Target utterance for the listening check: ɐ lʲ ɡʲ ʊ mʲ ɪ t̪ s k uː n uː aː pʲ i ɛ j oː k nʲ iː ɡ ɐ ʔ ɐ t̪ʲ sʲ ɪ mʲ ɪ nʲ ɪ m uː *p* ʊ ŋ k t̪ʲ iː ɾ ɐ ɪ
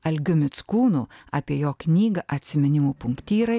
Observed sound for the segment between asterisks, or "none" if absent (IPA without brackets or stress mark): p